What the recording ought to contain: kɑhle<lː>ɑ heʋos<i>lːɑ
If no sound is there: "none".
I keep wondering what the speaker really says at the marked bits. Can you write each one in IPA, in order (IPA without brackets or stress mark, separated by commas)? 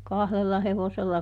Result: lː, e